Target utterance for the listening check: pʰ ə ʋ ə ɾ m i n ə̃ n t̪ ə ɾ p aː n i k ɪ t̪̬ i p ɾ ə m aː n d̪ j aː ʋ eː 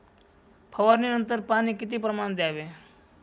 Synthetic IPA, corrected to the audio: pʰ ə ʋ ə ɾ n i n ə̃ n t̪ ə ɾ p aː n i k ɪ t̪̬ i p ɾ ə m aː n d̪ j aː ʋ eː